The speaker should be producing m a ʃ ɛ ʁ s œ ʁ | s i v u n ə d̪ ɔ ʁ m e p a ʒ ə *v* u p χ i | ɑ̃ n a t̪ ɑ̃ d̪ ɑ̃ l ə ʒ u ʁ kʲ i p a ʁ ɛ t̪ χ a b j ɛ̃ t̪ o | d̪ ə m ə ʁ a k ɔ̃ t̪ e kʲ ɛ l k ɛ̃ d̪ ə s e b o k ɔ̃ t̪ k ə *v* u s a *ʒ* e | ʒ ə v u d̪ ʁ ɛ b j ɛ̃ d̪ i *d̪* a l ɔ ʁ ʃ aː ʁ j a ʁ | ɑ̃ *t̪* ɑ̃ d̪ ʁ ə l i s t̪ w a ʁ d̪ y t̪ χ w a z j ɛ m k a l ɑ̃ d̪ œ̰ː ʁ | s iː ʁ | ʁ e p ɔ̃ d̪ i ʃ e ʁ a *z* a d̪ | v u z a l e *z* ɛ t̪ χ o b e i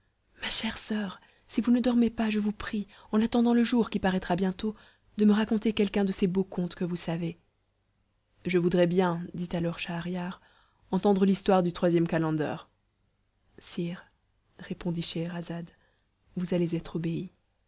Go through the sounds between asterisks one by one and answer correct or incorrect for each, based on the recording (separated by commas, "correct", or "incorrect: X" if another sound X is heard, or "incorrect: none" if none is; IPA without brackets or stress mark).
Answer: correct, correct, incorrect: v, incorrect: t̪, correct, correct, correct